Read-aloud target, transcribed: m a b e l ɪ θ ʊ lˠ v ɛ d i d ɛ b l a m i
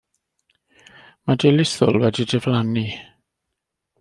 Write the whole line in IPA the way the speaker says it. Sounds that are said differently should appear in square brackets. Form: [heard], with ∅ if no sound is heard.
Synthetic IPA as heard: m a [d] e l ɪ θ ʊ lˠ [w] ɛ d i d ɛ [v] l a [n] i